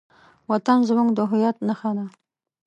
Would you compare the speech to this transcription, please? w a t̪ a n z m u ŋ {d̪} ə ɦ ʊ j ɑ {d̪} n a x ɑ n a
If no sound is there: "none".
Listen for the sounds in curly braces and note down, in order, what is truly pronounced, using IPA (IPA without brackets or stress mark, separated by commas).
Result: d̪, t̪